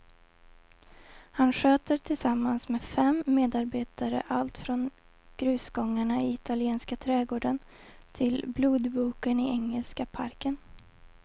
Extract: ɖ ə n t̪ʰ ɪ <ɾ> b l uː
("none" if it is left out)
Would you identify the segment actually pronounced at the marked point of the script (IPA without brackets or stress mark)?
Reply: l